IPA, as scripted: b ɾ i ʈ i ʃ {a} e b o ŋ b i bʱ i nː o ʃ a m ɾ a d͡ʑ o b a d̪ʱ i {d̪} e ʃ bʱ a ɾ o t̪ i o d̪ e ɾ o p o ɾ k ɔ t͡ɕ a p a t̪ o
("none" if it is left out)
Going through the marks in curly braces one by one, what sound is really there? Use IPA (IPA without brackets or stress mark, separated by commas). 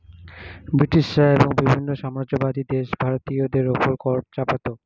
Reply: a, d̪